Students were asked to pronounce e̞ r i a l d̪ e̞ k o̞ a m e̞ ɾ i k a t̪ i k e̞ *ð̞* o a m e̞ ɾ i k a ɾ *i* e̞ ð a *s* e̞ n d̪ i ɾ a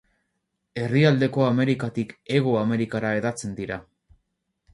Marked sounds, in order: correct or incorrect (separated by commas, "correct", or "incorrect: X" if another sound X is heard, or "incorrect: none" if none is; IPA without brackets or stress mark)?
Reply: incorrect: ɣ̞, incorrect: a, incorrect: t͡s